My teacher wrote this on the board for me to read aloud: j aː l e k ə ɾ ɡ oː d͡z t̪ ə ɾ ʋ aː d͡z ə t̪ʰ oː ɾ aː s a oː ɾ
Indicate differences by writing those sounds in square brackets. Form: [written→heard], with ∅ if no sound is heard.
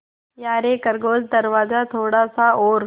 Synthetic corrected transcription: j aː [l→ɾ] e k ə ɾ ɡ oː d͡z [t̪→d̪] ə ɾ ʋ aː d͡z [ə→a] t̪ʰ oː [ɾ→ɽ] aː s a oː ɾ